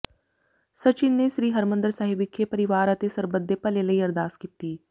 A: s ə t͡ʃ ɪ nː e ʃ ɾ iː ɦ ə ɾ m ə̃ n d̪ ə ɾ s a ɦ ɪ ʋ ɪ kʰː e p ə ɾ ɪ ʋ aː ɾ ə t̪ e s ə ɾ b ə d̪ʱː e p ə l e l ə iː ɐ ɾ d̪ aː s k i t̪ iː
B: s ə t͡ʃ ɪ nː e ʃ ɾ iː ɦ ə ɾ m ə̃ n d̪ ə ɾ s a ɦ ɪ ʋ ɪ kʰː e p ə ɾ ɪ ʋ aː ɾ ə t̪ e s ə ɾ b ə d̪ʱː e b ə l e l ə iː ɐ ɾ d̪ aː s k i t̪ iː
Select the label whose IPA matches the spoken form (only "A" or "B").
A